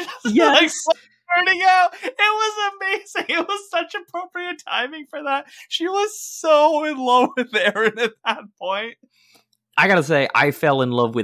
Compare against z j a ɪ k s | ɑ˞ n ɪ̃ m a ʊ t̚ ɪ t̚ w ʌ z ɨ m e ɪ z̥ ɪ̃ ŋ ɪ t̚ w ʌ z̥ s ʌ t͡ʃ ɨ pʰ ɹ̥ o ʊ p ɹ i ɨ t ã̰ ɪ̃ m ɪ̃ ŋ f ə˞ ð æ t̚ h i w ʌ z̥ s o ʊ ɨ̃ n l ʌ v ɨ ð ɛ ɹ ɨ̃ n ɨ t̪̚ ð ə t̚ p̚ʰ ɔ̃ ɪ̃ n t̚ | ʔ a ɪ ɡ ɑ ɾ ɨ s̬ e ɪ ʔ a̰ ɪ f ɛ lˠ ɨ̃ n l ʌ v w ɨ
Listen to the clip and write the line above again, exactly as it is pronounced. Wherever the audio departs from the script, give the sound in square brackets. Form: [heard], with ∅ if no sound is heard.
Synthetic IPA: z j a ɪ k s | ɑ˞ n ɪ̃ [ŋ] a ʊ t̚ ɪ t̚ w ʌ z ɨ m e ɪ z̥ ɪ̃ ŋ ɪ t̚ w ʌ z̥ s ʌ t͡ʃ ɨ pʰ ɹ̥ o ʊ p ɹ i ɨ [tʰ] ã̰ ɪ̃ m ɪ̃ ŋ f ə˞ ð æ t̚ [ʃ] i w ʌ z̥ s o ʊ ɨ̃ n l ʌ v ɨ ð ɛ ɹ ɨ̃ n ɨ t̪̚ ð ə t̚ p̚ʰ ɔ̃ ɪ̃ n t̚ | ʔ a ɪ ɡ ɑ ɾ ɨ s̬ e ɪ ʔ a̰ ɪ f ɛ lˠ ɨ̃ n l ʌ v w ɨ